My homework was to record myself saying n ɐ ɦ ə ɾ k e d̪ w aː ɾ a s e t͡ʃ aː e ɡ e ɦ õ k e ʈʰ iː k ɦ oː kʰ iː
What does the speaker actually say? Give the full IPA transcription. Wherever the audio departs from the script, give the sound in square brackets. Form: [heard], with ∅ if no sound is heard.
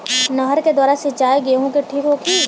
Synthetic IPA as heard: n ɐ ɦ ə ɾ k e d̪ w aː ɾ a s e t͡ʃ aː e ɡ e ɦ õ k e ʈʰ iː k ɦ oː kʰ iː